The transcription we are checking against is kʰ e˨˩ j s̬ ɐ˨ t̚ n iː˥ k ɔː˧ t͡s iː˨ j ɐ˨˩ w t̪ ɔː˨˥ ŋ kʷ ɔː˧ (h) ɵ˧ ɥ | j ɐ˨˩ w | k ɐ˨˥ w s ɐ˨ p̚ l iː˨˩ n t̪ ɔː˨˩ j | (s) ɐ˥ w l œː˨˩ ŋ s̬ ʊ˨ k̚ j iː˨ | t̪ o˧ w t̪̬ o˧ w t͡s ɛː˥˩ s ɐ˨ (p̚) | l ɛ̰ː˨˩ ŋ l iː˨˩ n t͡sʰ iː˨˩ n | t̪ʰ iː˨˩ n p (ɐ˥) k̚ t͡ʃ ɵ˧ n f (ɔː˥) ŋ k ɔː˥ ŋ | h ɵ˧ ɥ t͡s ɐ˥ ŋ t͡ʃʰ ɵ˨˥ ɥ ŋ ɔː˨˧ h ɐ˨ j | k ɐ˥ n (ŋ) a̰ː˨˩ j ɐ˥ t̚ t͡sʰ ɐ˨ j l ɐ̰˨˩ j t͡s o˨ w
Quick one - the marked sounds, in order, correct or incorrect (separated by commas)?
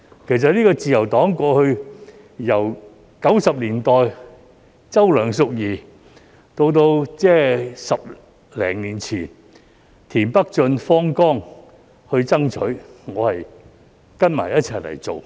correct, incorrect, correct, correct, correct, incorrect